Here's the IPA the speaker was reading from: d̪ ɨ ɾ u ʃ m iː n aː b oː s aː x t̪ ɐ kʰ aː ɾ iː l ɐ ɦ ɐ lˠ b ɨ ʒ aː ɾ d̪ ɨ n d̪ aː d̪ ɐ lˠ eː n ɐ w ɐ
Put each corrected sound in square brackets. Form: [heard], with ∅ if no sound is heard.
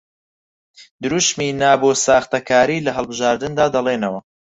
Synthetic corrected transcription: d̪ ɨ ɾ u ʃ m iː n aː b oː s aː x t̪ ɐ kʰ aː ɾ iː l ɐ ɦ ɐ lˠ b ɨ ʒ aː ɾ d̪ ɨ n d̪ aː d̪ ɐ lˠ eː n ɐ w ɐ